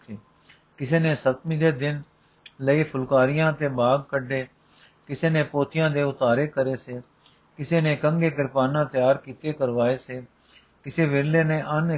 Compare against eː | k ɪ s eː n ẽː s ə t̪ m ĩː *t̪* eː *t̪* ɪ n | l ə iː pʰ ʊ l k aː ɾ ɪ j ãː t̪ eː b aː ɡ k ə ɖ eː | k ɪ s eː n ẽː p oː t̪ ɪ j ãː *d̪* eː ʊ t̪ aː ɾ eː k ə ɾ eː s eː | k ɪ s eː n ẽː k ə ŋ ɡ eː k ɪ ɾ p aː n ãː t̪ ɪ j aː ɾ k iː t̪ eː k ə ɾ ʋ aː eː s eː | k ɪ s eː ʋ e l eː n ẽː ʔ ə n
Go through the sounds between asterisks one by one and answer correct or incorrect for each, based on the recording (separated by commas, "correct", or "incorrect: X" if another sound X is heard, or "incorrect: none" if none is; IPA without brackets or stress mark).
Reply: incorrect: d̪, incorrect: d̪, correct